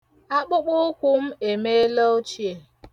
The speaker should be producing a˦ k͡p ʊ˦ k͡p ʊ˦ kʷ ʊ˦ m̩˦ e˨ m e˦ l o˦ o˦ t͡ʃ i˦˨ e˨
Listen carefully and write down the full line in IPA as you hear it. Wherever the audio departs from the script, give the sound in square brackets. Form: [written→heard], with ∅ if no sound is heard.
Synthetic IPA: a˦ k͡p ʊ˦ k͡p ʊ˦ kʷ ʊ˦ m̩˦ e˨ m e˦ l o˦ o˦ t͡ʃ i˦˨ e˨